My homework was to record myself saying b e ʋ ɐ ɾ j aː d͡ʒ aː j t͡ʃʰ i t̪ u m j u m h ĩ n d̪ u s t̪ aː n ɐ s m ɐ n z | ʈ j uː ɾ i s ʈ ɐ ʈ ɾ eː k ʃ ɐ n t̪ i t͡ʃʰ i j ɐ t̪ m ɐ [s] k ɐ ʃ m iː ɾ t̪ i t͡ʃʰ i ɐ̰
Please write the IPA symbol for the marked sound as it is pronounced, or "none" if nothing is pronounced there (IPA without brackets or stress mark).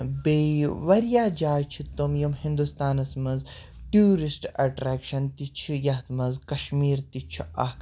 z